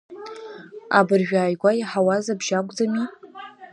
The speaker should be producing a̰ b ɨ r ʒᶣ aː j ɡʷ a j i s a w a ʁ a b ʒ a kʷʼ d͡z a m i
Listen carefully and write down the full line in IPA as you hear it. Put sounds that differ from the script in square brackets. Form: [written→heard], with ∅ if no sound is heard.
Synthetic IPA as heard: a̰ b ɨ r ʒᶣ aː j ɡʷ a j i [s→ħ] a w a [ʁ→z] a b ʒ a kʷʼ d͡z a m i